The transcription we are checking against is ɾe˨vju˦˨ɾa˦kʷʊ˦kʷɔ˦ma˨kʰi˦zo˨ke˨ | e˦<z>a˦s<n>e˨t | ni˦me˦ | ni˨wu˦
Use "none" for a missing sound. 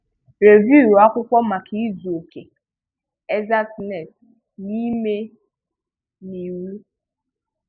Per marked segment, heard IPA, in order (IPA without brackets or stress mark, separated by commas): z, n